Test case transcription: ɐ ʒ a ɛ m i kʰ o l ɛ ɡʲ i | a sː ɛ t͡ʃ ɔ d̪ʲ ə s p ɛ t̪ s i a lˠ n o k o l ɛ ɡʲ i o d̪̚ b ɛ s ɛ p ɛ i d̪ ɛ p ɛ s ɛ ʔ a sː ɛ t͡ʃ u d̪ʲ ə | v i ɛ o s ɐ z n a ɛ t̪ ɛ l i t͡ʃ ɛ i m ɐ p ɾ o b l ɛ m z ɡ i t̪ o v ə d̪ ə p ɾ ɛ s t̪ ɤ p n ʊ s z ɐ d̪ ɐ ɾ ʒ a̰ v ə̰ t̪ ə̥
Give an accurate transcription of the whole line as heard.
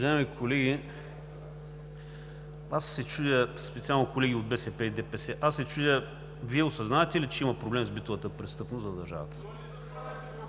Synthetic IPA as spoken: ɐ ʒ a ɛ m i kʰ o l ɛ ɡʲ i | a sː ɛ t͡ʃ u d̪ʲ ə s p ɛ t̪ s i a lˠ n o k o l ɛ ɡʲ i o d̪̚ b ɛ s ɛ p ɛ i d̪ ɛ p ɛ s ɛ ʔ a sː ɛ t͡ʃ u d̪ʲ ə | v i ɛ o s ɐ z n a ɛ t̪ ɛ l i t͡ʃ ɛ i m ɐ p ɾ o b l ɛ m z b i t̪ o v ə t̪ ə p ɾ ɛ s t̪ ɤ p n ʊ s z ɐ d̪ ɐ ɾ ʒ a̰ v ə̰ t̪ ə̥